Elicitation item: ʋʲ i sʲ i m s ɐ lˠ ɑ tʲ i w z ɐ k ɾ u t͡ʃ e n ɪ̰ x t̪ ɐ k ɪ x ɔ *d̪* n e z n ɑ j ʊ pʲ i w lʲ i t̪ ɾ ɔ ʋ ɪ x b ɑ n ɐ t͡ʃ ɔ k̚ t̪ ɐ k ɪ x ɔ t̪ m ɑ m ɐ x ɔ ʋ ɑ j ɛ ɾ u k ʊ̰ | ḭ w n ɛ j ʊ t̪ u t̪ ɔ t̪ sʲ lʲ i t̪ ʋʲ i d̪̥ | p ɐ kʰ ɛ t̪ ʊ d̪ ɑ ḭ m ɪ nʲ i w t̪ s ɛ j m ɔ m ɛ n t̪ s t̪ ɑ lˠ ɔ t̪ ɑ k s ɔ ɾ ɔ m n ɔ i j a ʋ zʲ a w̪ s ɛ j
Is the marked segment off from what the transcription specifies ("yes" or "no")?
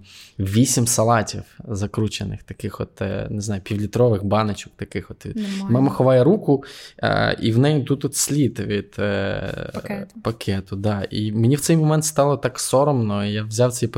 yes